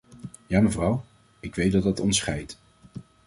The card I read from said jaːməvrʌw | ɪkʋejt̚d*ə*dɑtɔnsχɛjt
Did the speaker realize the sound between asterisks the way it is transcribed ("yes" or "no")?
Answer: no